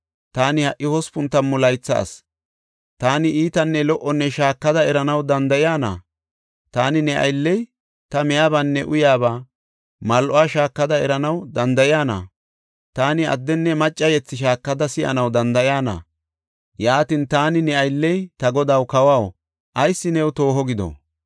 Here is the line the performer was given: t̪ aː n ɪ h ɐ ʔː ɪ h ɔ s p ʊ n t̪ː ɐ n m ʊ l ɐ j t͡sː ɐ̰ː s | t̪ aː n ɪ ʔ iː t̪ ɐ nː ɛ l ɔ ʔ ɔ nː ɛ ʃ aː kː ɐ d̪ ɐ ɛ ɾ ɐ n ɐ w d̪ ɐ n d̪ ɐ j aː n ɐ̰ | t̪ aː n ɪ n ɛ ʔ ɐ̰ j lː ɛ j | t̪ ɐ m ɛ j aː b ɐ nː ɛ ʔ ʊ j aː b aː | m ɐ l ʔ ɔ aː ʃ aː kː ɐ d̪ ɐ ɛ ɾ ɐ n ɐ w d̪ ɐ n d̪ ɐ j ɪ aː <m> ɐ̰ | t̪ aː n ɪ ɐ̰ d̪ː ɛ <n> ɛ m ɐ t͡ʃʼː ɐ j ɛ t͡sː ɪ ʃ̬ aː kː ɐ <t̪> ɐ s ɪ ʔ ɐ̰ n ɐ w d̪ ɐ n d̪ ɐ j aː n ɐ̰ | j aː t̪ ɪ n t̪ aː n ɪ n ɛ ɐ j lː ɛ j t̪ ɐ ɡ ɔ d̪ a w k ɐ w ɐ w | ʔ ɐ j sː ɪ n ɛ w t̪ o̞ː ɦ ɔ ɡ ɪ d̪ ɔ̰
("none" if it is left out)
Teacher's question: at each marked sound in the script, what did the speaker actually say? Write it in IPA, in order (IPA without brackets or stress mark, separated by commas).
n, nː, d̪